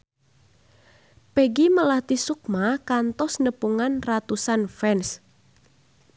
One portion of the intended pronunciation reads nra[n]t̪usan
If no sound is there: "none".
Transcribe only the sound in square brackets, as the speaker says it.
none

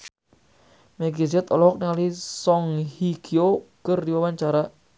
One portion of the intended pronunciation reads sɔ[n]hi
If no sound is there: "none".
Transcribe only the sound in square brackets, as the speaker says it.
ŋ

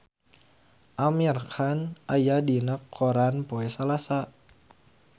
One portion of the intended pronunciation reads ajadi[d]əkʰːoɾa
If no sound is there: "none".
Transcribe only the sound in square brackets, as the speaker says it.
n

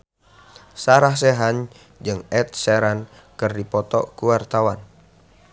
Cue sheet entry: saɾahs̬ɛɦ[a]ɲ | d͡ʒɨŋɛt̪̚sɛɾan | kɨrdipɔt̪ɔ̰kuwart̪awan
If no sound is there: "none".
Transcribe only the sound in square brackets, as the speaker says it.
a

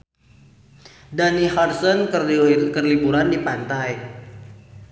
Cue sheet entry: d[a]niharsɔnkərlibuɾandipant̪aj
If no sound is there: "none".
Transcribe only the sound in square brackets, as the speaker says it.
a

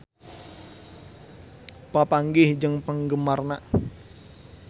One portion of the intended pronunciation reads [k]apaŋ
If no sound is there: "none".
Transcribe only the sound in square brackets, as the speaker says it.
p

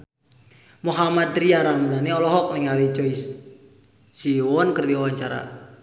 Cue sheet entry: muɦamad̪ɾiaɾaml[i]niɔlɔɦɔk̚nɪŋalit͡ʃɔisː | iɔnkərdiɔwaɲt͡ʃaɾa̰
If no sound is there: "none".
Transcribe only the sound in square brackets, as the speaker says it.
a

